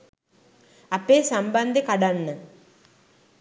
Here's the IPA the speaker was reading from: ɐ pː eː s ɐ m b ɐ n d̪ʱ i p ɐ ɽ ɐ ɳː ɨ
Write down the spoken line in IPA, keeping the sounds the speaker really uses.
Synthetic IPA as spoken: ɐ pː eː s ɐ m b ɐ n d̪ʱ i k ɐ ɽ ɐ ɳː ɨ